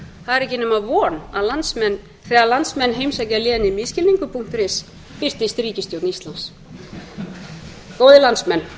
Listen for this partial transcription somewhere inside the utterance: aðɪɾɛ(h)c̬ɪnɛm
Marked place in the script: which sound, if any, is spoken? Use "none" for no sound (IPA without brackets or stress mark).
h